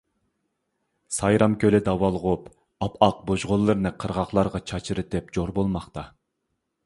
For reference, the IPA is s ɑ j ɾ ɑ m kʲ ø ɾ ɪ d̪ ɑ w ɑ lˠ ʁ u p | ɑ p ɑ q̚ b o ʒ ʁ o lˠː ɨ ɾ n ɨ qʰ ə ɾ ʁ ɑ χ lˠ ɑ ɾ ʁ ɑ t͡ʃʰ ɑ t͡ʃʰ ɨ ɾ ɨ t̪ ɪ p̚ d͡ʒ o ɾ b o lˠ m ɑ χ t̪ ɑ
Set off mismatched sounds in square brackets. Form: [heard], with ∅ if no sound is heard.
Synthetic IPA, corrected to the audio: s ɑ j ɾ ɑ m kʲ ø [l] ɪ d̪ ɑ w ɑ lˠ ʁ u p | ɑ p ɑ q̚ b o ʒ ʁ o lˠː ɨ ɾ n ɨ qʰ ə ɾ ʁ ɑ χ lˠ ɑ ɾ ʁ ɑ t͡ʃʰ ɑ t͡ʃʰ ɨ ɾ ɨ t̪ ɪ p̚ d͡ʒ o ɾ b o lˠ m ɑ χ t̪ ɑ